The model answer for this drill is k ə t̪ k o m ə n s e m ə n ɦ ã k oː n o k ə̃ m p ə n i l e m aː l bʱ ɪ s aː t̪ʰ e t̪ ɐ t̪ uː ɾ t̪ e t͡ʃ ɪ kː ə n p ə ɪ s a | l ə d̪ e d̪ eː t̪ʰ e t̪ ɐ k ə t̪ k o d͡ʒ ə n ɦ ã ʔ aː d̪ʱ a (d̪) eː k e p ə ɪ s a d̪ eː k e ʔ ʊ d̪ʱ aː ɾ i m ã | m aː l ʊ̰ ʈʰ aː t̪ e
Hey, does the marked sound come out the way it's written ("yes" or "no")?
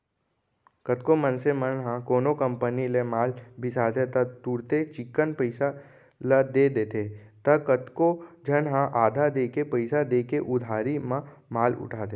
yes